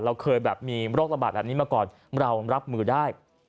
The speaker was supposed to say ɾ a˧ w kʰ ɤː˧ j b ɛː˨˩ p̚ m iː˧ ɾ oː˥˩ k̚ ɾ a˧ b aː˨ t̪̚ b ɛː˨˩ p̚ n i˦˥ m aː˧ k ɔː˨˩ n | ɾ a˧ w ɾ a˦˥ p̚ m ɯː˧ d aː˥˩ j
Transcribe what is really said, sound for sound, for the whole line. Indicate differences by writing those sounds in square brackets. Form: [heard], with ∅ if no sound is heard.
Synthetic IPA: ɾ a˧ w kʰ ɤː˧ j b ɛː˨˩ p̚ m iː˧ ɾ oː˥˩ k̚ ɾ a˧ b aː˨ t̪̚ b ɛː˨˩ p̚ n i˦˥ m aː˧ k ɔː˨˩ n | ɾ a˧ w ɾ a˦˥ p̚ m ɯː˧ d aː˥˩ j